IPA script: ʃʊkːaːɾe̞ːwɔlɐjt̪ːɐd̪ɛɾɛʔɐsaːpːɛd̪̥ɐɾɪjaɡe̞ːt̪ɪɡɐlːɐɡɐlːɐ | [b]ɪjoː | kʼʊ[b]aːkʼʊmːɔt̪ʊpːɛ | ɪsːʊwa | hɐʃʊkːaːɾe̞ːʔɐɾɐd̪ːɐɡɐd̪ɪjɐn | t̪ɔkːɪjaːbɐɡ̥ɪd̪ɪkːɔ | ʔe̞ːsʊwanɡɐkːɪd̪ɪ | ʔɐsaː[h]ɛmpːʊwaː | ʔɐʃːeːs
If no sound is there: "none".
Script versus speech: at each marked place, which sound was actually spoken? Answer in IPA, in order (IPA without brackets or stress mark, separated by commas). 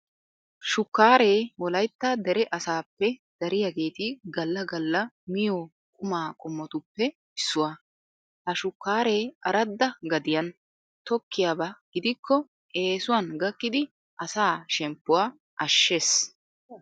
m, m, ʃ